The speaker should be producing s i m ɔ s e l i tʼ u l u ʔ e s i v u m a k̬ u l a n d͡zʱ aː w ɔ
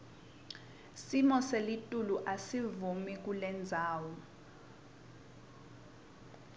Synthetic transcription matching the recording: s i m ɔ s e l i tʼ u l u ʔ a s i v u m i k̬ u l ɛ n d͡zʱ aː w ɔ